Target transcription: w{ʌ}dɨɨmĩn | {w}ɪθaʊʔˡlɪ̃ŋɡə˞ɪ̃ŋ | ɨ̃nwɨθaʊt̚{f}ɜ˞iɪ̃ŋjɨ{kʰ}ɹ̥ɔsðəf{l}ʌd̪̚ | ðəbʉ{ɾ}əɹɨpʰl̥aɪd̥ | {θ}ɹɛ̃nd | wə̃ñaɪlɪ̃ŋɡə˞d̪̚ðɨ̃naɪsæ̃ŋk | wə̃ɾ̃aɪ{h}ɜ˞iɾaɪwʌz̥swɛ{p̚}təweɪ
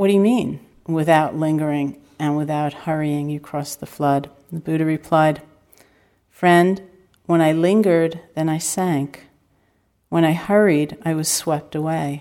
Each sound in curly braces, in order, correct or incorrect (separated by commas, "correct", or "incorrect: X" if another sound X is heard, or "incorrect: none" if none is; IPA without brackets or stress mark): correct, correct, incorrect: h, correct, correct, correct, incorrect: f, correct, correct